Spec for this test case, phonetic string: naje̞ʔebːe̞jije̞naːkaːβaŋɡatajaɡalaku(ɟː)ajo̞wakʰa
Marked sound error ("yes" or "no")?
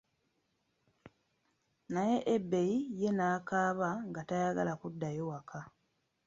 yes